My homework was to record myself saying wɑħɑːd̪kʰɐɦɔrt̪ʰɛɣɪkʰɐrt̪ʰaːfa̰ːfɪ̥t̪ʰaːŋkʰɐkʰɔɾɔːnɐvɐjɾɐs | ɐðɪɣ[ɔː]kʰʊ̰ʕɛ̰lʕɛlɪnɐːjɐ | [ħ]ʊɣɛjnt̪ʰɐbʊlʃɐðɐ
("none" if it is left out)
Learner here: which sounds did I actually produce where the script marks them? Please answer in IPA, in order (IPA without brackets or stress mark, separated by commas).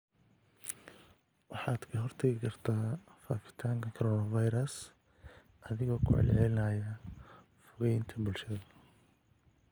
ɔː, f